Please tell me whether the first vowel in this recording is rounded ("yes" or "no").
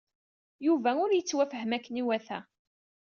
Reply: yes